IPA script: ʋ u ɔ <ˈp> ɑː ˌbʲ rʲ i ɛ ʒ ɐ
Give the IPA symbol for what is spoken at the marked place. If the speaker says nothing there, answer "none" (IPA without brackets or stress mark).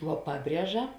p